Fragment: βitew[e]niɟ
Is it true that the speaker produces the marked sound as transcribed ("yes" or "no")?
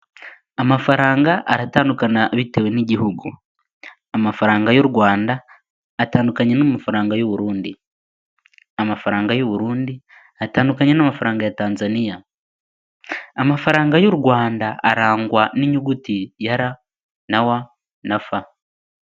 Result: yes